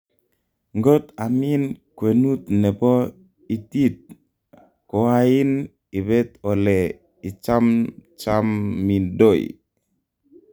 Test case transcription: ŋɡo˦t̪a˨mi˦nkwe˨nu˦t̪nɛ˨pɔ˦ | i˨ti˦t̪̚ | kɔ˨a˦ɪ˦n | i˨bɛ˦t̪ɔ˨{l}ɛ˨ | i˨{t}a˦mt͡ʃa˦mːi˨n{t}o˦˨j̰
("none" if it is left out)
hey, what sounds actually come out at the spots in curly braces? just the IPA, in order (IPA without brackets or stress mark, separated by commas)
l, t͡ʃ, d